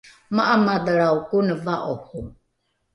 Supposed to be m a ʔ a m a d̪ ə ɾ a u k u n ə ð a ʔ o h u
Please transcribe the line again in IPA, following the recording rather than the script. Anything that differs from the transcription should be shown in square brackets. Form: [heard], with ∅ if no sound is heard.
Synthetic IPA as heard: m a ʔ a m a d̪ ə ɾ a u k u n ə [v] a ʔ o h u